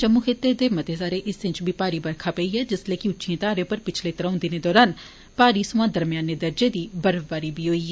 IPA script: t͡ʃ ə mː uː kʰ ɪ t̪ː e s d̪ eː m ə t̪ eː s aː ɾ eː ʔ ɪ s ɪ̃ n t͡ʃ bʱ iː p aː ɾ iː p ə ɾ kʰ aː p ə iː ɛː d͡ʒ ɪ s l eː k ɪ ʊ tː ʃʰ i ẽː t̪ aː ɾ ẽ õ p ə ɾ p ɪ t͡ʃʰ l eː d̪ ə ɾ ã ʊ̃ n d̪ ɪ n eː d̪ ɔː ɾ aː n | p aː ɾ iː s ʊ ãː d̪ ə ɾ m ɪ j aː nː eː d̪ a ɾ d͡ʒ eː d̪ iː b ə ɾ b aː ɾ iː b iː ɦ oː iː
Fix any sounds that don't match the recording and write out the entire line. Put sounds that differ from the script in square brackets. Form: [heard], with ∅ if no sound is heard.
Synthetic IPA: t͡ʃ ə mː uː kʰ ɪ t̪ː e [∅] d̪ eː m ə t̪ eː s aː ɾ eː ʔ ɪ s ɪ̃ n t͡ʃ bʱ iː p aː ɾ iː [b] ə ɾ kʰ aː p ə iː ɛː d͡ʒ ɪ s l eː k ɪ ʊ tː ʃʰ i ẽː t̪ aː ɾ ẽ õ p ə ɾ p ɪ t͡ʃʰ l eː [t̪] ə ɾ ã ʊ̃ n d̪ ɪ n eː d̪ ɔː ɾ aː n | p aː ɾ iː s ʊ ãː d̪ ə ɾ m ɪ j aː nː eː d̪ [ə] ɾ d͡ʒ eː d̪ iː b ə ɾ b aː ɾ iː b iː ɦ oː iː